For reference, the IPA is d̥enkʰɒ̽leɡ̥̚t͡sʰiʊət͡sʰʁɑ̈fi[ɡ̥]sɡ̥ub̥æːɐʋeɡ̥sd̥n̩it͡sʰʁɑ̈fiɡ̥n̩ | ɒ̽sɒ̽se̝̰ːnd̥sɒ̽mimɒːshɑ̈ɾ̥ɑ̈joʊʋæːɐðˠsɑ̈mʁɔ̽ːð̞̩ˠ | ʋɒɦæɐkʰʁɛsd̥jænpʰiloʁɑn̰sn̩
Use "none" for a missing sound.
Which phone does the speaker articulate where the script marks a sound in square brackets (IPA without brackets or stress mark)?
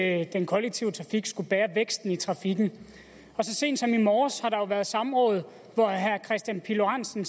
ɡ̥